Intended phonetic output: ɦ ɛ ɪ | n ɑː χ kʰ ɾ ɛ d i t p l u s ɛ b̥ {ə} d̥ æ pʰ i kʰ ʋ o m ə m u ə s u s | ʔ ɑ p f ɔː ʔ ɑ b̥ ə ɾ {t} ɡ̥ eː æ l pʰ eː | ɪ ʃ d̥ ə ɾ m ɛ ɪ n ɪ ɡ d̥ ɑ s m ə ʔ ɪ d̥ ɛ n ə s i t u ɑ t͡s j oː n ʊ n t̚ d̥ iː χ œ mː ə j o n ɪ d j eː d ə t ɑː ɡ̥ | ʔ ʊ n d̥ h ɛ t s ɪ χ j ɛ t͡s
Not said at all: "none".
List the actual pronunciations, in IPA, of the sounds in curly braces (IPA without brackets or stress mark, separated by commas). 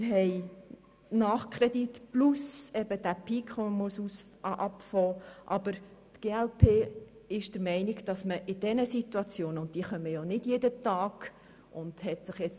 ə, t